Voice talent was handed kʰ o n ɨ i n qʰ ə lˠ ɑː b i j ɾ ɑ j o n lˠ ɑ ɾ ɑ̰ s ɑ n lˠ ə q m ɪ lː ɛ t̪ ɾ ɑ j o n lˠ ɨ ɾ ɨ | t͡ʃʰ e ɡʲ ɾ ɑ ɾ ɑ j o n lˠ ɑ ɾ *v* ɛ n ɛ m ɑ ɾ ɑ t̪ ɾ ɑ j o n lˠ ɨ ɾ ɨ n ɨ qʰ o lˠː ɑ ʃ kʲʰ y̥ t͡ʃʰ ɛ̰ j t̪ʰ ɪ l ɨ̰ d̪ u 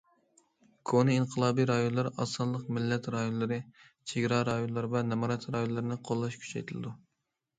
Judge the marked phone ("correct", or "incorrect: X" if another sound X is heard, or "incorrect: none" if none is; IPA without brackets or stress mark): correct